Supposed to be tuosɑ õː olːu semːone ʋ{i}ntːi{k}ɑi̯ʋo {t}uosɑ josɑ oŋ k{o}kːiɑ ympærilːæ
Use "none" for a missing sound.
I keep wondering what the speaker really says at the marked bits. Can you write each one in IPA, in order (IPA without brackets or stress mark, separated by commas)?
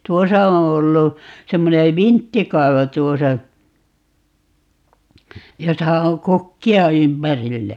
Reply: i, k, t, u